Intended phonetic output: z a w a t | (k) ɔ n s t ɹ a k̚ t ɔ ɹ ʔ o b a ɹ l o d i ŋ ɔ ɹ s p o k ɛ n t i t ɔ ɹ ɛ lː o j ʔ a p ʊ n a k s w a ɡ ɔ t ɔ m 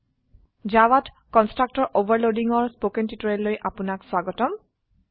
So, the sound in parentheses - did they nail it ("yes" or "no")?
yes